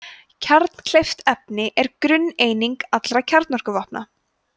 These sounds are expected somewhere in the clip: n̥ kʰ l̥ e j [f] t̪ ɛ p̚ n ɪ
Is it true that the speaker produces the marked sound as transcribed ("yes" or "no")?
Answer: yes